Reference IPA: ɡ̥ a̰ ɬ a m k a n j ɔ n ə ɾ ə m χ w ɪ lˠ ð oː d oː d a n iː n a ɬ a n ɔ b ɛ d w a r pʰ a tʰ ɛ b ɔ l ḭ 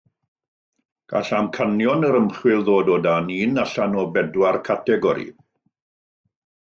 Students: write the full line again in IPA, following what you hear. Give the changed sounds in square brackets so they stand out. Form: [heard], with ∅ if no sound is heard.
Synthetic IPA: ɡ̥ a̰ ɬ a m [kʰ] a n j ɔ n ə ɾ ə m χ w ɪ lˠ ð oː d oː d a n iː n a ɬ a n ɔ b ɛ d w a r [kʰ] a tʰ ɛ [ɡ] ɔ [ɾ] ḭ

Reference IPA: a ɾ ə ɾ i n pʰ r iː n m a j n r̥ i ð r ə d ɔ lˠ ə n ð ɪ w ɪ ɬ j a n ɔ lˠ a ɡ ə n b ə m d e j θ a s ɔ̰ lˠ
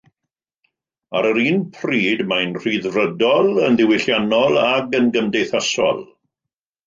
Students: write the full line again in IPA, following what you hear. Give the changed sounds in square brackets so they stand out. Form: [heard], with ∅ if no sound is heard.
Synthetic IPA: a ɾ ə ɾ [iː] n pʰ r iː [d] m a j n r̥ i ð r ə d ɔ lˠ ə n ð ɪ w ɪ ɬ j a n ɔ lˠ a ɡ ə n [ɡ] ə m d e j θ a s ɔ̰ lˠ

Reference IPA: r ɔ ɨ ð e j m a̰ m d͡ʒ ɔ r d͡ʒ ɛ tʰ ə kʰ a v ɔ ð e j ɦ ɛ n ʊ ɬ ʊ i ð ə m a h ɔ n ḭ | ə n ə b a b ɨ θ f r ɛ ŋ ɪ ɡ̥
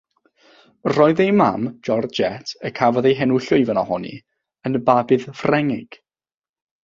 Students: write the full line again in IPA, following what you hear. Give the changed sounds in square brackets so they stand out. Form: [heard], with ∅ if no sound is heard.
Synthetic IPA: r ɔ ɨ ð e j m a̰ m d͡ʒ ɔ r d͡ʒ ɛ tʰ ə kʰ a v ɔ ð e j ɦ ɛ n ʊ ɬ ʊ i [v] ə [n] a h ɔ n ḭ | ə n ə b a b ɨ [ð] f r ɛ ŋ ɪ ɡ̥

